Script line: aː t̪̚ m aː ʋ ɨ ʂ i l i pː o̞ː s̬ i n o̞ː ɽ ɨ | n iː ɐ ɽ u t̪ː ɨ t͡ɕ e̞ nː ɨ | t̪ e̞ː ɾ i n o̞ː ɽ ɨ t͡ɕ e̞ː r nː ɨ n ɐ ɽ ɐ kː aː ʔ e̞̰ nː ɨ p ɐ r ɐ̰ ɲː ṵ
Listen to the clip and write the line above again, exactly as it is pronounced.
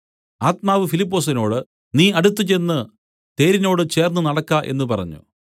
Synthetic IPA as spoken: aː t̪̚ m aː ʋ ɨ f i l i pː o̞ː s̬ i n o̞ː ɽ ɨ | n iː ɐ ɽ u t̪ː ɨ t͡ɕ e̞ nː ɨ | t̪ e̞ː ɾ i n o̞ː ɽ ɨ t͡ɕ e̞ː r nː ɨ n ɐ ɽ ɐ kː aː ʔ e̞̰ nː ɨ p ɐ r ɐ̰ ɲː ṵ